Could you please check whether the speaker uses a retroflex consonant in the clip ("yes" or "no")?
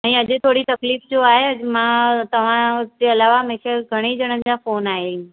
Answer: yes